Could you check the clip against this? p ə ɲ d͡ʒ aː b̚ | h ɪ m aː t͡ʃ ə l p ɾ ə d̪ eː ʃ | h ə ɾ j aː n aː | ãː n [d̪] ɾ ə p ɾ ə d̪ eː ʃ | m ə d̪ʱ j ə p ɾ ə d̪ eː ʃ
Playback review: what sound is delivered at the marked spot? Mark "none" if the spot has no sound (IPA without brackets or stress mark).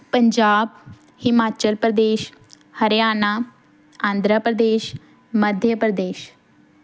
d̪